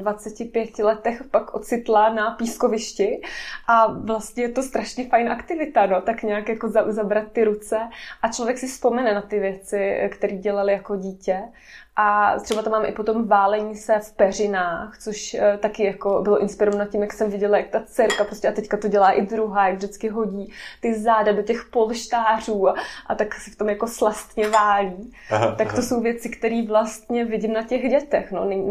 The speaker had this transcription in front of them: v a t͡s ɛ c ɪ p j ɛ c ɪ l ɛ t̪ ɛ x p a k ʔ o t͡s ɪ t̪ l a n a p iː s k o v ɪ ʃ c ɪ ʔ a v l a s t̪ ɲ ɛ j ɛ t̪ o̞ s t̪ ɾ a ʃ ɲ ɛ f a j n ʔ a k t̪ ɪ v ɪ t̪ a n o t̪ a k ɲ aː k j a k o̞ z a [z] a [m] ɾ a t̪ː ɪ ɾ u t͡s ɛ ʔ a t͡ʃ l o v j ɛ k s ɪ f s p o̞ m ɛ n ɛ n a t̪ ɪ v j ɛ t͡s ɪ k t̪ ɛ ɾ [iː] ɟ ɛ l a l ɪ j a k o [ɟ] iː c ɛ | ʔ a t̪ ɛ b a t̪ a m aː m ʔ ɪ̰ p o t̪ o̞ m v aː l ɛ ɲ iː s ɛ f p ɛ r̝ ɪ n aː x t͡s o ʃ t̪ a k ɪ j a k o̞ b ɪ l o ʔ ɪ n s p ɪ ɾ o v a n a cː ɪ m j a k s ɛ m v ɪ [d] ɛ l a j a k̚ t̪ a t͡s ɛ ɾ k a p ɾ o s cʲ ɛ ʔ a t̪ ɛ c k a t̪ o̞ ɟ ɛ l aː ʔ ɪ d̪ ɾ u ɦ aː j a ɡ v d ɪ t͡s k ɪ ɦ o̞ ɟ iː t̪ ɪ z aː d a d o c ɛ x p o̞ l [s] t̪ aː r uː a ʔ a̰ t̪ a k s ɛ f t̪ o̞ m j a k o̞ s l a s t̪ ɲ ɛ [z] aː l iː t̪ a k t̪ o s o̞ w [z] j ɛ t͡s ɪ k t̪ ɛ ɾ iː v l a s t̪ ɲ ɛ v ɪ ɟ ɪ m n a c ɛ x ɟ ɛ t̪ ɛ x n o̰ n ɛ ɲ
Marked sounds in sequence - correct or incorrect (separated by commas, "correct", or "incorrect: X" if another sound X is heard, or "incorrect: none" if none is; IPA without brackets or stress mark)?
correct, incorrect: b, correct, correct, incorrect: ɟ, incorrect: ʃ, incorrect: v, incorrect: v